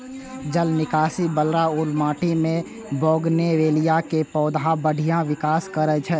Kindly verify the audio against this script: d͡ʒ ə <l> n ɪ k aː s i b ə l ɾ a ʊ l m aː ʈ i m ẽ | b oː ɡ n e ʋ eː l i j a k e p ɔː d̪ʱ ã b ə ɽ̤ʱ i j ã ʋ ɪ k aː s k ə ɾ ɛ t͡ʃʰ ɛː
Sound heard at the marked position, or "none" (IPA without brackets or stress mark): l